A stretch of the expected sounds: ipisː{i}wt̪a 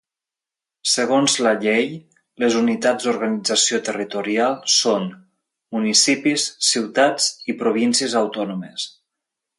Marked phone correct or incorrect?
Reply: correct